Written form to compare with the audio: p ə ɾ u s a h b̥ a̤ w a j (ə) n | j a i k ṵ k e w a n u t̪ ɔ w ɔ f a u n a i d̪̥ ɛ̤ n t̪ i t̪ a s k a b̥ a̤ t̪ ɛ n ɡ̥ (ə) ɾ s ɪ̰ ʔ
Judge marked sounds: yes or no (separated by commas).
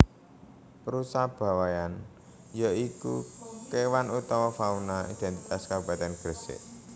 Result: no, yes